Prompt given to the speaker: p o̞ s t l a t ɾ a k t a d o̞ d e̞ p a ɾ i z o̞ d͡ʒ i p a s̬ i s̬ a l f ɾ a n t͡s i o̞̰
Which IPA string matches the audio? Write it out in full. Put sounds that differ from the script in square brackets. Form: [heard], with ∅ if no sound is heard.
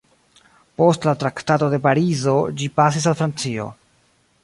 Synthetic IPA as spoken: p o̞ s t l a t ɾ a k t a [t] o̞ d e̞ p a ɾ i z o̞ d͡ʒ i p a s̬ i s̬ a l f ɾ a n t͡s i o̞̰